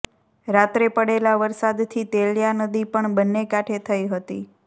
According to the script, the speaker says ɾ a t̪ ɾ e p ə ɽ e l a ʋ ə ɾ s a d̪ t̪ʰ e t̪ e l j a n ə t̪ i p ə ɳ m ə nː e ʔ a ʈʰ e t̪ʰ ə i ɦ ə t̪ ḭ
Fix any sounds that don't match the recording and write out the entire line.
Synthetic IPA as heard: ɾ a t̪ ɾ e p ə ɽ e l a ʋ ə ɾ s a d̪ t̪ʰ i t̪ e l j a n ə d̪ i p ə ɳ b ə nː e k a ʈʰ e t̪ʰ ə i ɦ ə t̪ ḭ